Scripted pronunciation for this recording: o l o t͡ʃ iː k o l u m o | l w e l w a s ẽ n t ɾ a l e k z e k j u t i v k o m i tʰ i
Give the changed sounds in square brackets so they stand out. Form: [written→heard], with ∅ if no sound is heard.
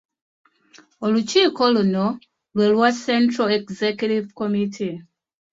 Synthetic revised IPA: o l [o→u] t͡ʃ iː k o l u [m→n] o | l w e l w a s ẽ n t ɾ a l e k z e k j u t i v k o m i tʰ i